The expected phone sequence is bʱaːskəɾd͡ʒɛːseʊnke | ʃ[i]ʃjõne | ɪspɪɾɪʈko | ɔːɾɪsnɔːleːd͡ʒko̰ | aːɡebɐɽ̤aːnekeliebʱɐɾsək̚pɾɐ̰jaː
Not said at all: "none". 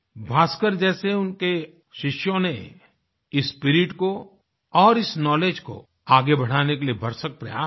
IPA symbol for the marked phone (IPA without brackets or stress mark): ɪ